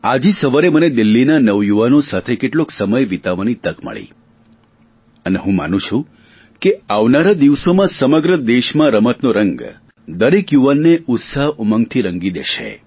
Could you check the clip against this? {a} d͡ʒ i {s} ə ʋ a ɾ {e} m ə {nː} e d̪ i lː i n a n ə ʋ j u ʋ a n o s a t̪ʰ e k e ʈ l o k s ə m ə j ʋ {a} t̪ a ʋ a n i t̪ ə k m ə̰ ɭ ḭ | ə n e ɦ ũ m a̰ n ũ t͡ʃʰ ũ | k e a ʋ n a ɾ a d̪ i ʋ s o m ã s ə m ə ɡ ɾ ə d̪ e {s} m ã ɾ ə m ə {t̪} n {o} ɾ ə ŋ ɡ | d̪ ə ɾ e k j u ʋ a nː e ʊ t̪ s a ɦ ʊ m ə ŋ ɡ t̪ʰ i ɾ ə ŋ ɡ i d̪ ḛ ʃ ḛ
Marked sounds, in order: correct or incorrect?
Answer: correct, correct, correct, incorrect, incorrect, incorrect, correct, correct

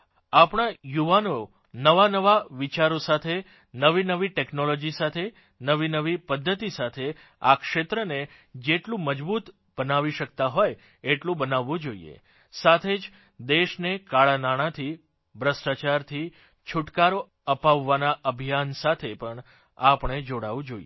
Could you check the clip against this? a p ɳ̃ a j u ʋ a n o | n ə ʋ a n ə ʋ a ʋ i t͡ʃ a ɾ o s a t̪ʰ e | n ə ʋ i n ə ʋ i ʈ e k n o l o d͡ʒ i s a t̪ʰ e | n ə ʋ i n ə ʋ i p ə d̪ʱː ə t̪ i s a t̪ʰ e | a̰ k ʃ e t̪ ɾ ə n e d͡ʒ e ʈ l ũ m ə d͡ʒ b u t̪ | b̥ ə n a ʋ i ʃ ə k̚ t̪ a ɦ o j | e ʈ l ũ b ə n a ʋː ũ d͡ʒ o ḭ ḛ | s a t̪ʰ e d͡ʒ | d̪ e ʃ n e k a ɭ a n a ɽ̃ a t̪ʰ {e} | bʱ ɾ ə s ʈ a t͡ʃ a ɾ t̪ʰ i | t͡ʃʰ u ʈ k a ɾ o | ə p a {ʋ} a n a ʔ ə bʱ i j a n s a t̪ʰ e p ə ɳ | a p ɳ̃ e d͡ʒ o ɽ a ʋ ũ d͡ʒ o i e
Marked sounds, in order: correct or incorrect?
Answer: incorrect, incorrect

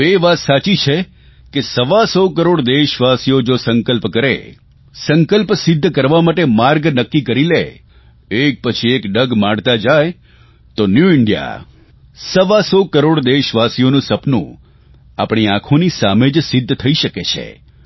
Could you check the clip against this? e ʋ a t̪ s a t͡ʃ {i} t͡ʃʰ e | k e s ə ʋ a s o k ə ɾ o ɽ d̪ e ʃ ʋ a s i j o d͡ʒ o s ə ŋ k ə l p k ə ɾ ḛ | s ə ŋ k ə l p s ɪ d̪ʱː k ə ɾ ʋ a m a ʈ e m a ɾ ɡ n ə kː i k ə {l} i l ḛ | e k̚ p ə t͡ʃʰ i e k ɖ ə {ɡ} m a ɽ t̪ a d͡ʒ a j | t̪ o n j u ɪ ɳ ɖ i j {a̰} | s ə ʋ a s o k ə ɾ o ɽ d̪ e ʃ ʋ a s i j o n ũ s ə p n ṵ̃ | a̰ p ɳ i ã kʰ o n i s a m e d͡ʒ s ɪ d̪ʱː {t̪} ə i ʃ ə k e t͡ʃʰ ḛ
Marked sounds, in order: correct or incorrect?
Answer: correct, incorrect, correct, correct, incorrect

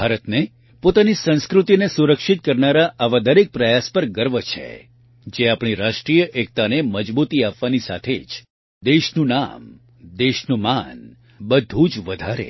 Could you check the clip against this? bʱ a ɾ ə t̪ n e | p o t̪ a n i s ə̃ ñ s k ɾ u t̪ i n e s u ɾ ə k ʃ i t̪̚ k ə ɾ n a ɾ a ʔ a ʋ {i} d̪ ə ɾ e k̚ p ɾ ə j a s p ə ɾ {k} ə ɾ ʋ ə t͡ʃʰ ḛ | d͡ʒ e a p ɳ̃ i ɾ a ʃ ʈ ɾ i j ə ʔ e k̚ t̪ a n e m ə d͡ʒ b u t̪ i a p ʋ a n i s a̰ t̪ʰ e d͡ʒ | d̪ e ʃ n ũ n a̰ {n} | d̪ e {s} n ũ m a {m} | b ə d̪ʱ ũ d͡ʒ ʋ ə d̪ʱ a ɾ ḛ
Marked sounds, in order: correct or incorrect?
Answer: incorrect, incorrect, incorrect, incorrect, incorrect

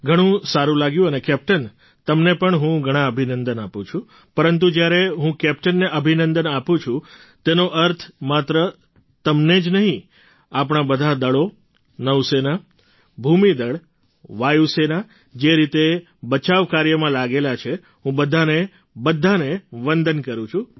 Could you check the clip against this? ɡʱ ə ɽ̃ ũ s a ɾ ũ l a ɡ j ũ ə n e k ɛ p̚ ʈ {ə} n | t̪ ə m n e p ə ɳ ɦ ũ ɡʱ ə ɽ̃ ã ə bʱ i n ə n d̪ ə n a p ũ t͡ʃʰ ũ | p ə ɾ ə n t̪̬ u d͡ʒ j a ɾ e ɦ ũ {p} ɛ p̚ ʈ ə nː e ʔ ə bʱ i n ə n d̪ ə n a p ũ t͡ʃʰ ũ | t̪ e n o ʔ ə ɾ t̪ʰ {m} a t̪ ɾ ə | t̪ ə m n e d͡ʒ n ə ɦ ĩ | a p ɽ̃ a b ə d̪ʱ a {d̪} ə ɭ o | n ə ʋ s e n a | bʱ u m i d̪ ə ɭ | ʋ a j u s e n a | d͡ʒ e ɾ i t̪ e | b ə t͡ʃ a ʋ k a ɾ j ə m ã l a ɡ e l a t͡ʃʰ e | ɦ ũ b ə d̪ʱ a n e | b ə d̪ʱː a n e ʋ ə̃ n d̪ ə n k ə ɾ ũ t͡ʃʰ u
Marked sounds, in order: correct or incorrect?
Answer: correct, incorrect, correct, correct

